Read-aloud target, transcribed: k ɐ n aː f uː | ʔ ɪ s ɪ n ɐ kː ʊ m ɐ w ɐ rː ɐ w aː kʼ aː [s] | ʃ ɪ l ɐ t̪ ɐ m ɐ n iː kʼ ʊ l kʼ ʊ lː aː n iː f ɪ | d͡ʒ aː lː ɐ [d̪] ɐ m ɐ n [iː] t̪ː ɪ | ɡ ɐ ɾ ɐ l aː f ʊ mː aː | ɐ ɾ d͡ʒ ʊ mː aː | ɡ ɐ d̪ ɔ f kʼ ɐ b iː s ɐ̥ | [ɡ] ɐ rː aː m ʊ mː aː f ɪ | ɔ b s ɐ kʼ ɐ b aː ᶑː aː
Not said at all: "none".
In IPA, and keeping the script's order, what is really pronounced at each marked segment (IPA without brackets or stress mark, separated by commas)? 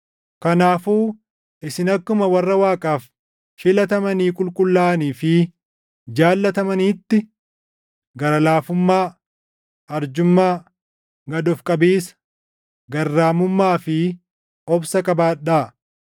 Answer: f, t̪, iː, ɡ